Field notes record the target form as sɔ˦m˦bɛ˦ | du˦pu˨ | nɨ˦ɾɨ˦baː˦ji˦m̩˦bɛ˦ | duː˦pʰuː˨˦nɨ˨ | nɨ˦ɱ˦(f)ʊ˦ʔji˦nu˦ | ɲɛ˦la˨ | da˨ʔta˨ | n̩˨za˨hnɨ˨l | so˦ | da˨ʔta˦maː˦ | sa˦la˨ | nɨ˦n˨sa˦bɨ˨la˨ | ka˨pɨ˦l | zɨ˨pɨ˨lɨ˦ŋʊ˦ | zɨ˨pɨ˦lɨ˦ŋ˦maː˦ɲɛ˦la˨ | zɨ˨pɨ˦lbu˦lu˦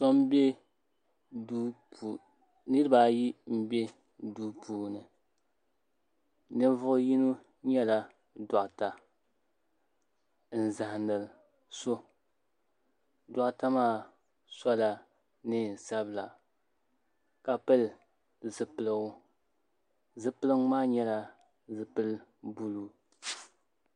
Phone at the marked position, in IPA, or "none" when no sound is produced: v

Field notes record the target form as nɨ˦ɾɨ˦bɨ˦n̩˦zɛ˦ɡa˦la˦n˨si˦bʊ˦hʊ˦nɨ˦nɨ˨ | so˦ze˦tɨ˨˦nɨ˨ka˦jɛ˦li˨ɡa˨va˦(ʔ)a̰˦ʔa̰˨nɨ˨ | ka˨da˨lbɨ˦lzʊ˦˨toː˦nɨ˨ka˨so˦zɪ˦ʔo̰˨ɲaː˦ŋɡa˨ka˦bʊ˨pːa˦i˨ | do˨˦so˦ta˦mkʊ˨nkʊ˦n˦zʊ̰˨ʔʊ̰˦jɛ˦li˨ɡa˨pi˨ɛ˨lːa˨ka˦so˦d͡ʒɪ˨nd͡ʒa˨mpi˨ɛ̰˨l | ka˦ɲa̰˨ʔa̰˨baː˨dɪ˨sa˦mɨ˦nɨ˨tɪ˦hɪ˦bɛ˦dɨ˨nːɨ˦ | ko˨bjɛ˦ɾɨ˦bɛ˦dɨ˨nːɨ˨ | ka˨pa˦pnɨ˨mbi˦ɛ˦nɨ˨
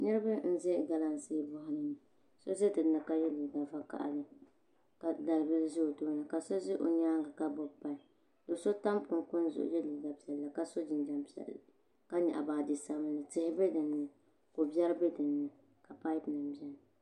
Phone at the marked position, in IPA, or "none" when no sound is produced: k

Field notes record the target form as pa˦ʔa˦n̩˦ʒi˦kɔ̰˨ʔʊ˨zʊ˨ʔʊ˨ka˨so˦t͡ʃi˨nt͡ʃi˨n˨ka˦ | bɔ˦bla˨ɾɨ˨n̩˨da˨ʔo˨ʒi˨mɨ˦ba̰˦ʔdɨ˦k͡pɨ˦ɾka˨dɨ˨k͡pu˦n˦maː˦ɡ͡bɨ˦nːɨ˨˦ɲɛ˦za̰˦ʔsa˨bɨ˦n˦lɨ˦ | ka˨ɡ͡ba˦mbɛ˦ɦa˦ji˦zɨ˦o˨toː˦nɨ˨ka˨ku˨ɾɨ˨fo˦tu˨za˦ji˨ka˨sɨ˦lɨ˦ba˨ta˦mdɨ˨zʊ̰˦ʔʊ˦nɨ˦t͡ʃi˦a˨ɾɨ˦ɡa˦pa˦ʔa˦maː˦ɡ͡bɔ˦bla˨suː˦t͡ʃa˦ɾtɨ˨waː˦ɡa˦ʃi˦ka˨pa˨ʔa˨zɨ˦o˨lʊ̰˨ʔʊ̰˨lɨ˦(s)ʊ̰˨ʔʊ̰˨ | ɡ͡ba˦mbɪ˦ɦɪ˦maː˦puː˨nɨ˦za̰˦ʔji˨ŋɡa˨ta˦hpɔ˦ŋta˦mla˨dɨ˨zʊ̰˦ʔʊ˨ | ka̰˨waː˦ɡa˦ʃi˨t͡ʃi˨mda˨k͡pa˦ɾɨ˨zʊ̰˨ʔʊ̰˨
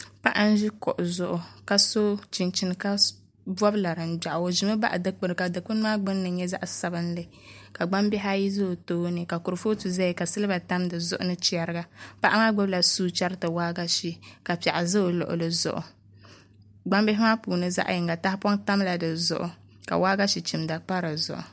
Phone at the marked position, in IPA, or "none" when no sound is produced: z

